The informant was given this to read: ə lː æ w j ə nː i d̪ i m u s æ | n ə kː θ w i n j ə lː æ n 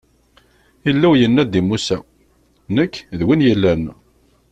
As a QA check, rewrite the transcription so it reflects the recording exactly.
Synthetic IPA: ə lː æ w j ə nː æ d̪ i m u s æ | n ə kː ð w i n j ə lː æ n